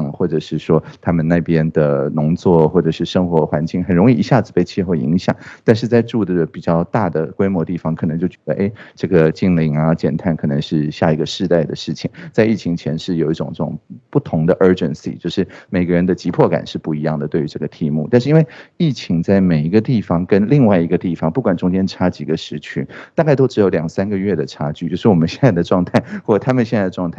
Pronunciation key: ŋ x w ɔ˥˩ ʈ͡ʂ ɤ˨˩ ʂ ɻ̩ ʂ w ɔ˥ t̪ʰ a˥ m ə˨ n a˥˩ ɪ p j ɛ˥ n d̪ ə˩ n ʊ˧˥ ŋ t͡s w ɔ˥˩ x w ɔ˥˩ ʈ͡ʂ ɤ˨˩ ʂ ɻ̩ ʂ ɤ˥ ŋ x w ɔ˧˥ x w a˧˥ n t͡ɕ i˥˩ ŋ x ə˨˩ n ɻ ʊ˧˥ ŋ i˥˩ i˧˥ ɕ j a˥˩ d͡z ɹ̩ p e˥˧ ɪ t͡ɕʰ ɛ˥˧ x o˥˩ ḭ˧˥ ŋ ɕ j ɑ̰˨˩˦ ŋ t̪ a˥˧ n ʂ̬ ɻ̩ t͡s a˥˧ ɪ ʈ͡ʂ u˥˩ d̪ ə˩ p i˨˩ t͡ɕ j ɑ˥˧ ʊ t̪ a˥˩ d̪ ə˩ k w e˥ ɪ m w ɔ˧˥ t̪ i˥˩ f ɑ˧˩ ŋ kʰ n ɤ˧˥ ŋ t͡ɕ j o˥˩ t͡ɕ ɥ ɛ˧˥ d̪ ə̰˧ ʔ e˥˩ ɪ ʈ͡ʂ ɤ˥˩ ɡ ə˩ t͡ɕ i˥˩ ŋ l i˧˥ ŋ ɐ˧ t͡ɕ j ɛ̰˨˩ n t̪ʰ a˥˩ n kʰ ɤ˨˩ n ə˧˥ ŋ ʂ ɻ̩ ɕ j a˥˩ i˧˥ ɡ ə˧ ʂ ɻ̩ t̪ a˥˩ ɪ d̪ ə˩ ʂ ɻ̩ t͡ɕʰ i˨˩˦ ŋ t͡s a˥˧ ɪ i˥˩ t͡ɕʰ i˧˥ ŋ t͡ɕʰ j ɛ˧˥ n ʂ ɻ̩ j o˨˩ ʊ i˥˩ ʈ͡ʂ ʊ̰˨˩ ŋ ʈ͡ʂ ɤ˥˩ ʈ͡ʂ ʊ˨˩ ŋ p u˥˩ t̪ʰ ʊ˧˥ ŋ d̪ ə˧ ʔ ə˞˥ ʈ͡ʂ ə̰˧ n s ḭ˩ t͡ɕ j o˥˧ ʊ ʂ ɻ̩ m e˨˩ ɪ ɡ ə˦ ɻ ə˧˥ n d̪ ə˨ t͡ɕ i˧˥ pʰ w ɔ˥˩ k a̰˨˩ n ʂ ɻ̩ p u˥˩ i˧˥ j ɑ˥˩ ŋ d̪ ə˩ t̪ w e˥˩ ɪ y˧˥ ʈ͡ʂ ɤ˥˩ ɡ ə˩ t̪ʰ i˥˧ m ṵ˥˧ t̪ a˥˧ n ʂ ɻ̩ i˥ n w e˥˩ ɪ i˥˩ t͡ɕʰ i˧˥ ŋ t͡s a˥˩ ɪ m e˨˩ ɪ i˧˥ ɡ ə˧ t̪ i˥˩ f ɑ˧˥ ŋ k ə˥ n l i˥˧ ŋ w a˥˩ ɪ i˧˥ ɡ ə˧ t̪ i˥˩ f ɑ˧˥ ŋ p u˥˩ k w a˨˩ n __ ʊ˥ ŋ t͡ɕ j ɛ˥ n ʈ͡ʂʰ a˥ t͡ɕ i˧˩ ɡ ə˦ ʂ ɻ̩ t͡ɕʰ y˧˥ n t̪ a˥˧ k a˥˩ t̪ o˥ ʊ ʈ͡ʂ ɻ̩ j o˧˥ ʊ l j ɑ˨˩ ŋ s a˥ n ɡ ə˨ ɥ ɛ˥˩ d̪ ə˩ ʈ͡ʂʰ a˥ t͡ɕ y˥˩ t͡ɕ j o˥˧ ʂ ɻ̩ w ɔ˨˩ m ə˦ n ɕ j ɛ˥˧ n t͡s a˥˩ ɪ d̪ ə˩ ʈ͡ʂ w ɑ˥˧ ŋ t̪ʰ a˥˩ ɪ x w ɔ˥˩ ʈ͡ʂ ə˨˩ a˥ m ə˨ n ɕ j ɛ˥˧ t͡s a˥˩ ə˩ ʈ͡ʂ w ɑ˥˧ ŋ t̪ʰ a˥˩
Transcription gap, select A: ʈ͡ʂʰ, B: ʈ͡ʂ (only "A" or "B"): B